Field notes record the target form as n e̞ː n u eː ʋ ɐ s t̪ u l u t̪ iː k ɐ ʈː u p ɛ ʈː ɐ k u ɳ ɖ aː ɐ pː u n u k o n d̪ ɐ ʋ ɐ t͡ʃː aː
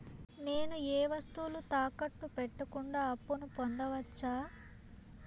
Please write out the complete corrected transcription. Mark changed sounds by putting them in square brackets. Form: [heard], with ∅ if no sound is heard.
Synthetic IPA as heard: n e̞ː n u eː ʋ ɐ s t̪ u l u t̪ [aː] k ɐ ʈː u p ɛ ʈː ɐ k u ɳ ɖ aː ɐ pː u n u [p] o n d̪ ɐ ʋ ɐ t͡ʃː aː